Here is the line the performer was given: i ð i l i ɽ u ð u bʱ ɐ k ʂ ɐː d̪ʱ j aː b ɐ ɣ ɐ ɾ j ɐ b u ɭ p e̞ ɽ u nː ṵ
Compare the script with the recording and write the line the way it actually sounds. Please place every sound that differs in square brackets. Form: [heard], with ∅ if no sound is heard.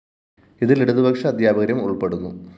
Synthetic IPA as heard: i ð i l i ɽ u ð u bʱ ɐ k ʂ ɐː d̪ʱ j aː b ɐ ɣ ɐ ɾ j ɐ [m] u ɭ p e̞ ɽ u nː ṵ